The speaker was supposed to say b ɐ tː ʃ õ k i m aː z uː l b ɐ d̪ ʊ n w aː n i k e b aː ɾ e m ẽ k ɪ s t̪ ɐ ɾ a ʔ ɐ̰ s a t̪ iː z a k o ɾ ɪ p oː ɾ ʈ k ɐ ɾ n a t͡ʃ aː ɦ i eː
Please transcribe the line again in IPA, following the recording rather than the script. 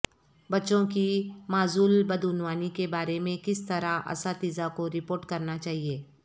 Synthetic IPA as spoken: b ɐ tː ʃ õ k i m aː z uː l b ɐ d̪ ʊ n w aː n i k e b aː ɾ e m ẽ k ɪ s t̪ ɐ ɾ a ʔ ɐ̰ s a t̪ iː z a k o ɾ ɪ p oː ɾ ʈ k ɐ ɾ n a t͡ʃ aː ɦ i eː